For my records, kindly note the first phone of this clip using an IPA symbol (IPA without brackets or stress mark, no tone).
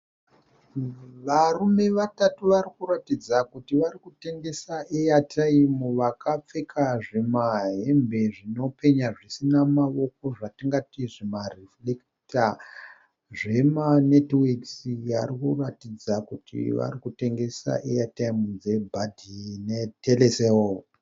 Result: ʋ